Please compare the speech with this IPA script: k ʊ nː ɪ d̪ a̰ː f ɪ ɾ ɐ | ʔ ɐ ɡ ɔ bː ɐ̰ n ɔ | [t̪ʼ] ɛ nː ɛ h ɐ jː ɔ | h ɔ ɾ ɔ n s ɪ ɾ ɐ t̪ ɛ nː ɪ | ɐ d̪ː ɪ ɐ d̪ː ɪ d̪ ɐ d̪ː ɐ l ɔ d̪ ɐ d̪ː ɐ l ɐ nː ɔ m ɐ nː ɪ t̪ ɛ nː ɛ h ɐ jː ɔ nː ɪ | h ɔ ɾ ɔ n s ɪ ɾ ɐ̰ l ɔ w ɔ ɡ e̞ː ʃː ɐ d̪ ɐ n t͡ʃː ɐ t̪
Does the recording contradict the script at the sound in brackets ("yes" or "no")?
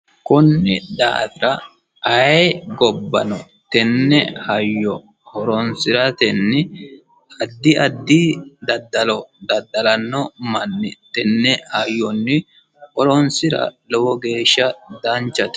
yes